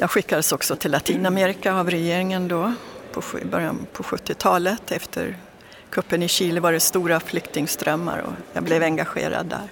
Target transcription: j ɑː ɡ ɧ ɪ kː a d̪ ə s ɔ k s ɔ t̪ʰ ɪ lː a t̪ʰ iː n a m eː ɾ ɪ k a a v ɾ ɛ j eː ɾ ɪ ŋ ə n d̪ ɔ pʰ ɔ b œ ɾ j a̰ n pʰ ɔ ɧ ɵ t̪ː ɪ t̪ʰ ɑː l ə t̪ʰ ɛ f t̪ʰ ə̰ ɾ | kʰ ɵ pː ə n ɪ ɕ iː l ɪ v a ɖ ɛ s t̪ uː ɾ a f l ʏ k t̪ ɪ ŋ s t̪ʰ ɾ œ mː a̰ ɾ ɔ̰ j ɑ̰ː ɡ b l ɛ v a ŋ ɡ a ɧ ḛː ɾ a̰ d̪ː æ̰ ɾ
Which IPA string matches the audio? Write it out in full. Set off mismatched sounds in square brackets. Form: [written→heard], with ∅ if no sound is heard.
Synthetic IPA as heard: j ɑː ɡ ɧ ɪ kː a d̪ ə s ɔ k s ɔ t̪ʰ ɪ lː a t̪ʰ iː n a m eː ɾ ɪ k a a v ɾ ɛ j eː ɾ ɪ ŋ ə n d̪ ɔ pʰ ɔ b œ ɾ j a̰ n pʰ ɔ ɧ ɵ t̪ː ɪ t̪ʰ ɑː l ə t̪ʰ ɛ f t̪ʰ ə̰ ɾ | kʰ ɵ pː ə n ɪ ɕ iː l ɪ v a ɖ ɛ s t̪ uː ɾ a f l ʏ k t̪ ɪ ŋ s [t̪ʰ→t̪] ɾ œ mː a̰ ɾ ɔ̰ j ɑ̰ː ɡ b l ɛ v [a→ɛ] ŋ ɡ a ɧ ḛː ɾ a̰ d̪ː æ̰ ɾ